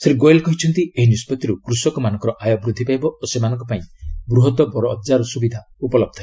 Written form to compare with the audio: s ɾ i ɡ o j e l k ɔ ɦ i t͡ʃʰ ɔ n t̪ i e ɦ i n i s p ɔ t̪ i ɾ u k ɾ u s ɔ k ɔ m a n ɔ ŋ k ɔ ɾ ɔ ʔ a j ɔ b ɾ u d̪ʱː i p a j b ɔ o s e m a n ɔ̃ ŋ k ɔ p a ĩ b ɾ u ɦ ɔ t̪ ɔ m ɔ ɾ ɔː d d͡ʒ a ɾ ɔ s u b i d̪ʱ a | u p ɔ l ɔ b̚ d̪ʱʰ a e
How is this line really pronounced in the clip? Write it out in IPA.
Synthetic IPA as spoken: s ɾ i ɡ o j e l k ɔ ɦ i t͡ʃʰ ɔ n t̪ i e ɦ i n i s p ɔ t̪ i ɾ u k ɾ u s ɔ k ɔ m a n ɔ ŋ k ɔ ɾ ɔ ʔ a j ɔ b ɾ u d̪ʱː i p a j b ɔ o s e m a n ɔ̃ ŋ k ɔ p a ĩ b ɾ u ɦ ɔ t̪ ɔ b ɔ ɾ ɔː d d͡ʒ a ɾ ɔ s u b i d̪ʱ a | u p ɔ l ɔ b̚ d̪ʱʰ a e